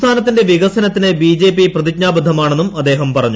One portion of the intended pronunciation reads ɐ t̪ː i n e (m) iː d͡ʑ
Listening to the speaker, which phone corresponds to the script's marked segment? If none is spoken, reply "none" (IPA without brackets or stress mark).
b